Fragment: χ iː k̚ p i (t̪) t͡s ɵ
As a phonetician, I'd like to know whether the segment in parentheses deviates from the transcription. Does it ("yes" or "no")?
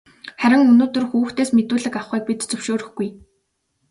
no